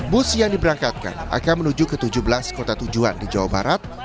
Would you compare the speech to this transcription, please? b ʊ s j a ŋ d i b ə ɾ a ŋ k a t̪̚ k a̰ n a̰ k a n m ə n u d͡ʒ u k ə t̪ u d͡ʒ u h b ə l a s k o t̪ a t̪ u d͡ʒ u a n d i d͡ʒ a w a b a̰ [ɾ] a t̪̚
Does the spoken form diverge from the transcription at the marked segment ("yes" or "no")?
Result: no